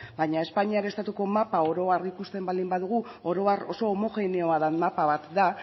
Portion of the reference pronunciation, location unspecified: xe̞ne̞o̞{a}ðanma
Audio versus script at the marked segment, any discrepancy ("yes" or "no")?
no